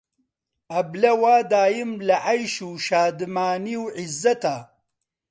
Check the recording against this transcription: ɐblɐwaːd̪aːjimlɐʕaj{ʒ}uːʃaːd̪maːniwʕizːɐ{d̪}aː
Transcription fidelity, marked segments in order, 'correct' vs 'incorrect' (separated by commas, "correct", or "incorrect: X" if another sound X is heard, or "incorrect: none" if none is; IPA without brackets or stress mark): incorrect: ʃ, incorrect: t̪